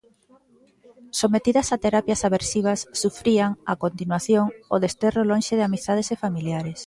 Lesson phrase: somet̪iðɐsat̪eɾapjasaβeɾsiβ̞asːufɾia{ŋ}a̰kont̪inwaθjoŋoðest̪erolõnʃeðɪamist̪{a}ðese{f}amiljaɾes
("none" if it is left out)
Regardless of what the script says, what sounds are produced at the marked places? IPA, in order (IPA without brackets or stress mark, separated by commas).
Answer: ŋ, a, f